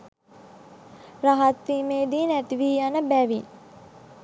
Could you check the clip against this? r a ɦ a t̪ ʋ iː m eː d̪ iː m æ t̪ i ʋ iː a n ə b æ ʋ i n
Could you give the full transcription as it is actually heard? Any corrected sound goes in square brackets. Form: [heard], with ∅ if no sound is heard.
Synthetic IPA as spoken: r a ɦ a t̪ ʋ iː m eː d̪ iː [n] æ t̪ i ʋ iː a n ə b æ ʋ i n